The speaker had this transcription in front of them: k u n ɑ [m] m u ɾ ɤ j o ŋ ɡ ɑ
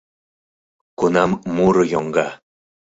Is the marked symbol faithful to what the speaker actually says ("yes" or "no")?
yes